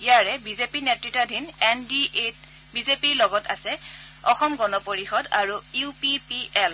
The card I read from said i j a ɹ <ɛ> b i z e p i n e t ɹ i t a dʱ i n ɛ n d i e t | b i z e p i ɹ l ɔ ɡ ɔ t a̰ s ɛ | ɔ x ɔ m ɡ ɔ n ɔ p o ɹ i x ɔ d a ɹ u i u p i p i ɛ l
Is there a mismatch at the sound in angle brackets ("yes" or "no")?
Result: no